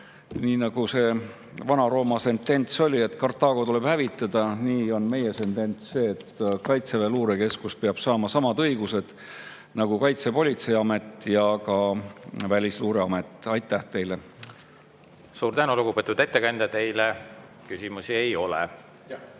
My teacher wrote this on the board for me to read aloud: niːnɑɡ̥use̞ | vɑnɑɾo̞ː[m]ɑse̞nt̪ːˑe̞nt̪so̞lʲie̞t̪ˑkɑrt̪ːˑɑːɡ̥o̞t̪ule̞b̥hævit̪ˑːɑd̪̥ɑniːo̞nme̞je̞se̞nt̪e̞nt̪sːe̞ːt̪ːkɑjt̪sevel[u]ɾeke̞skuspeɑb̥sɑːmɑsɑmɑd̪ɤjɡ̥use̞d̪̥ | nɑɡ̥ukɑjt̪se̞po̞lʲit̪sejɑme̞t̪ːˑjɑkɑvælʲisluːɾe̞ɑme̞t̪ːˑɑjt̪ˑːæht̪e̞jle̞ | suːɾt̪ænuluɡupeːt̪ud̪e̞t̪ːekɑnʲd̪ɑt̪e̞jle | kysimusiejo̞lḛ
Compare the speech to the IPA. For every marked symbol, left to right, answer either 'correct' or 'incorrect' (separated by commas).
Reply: correct, incorrect